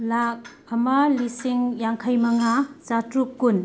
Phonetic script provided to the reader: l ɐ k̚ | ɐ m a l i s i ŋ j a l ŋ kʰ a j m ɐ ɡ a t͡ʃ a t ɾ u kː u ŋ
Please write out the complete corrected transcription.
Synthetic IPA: l a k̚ | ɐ m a l i s i ŋ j a ŋ kʰ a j m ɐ ŋ a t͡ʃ a t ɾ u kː u n